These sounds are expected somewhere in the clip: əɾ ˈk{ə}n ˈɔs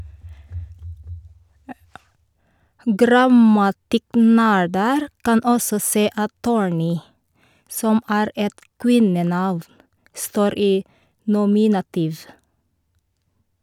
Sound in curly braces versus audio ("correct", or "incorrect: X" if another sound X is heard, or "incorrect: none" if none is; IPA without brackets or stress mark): incorrect: ɑ